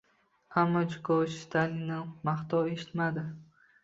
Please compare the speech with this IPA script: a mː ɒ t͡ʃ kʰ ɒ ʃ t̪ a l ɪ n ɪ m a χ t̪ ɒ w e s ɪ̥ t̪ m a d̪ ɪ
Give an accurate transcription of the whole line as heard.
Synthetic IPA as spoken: a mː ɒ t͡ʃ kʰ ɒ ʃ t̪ a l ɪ n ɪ m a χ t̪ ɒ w e ʃ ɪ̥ t̪ m a d̪ ɪ